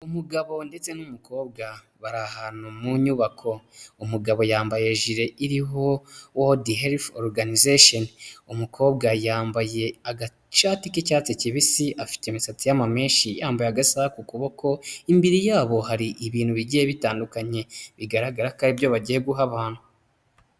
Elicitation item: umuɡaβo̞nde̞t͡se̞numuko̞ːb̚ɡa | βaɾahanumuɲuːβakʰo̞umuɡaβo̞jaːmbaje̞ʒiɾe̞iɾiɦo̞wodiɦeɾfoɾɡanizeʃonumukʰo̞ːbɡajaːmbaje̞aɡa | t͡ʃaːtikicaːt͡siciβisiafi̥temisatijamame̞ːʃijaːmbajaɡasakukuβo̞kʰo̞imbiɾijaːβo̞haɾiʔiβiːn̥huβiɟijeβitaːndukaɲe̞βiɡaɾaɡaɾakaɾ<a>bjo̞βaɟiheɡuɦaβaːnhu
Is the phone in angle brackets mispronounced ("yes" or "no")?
yes